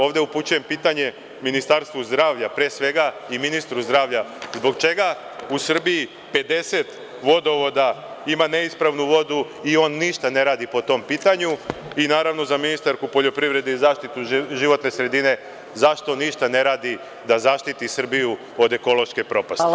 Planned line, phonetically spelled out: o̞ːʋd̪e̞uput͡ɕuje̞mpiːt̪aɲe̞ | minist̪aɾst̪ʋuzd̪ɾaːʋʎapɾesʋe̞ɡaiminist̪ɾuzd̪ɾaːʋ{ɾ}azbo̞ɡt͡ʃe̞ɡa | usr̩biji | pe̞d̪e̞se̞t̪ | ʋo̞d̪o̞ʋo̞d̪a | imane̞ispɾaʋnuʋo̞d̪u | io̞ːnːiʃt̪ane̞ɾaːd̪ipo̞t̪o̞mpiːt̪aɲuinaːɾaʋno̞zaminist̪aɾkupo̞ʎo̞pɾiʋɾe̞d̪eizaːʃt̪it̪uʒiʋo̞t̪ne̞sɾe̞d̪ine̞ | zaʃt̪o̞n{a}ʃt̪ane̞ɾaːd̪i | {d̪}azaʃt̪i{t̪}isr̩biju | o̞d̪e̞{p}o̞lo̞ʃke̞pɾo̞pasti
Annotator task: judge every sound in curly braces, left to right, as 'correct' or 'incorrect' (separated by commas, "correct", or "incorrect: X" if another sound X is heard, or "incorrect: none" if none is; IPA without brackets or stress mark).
incorrect: ʎ, incorrect: i, correct, correct, incorrect: k